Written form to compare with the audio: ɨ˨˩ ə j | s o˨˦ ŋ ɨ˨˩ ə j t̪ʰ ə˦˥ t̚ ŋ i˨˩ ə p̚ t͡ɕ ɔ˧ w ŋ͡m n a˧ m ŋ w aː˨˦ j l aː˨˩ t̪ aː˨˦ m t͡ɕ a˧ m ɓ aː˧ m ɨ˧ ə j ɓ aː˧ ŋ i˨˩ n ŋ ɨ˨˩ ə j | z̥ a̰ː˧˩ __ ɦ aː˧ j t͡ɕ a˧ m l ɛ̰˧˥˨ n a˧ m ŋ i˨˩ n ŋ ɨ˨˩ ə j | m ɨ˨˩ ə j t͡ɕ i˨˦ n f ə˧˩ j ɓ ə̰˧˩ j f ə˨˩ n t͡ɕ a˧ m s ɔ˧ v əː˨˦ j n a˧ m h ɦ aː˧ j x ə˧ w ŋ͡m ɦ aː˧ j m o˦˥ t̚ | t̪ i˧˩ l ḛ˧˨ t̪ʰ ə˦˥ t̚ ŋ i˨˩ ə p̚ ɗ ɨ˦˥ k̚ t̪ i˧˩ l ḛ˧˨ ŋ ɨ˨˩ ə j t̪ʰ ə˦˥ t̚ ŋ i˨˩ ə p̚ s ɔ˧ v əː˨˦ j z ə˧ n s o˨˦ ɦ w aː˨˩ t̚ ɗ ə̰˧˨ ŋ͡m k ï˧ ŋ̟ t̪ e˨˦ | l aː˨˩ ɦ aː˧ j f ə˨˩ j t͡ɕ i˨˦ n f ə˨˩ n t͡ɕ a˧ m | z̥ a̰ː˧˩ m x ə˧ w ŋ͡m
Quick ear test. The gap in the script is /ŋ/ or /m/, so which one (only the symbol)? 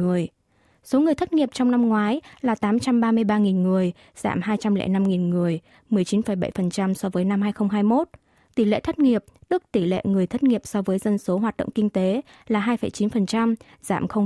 m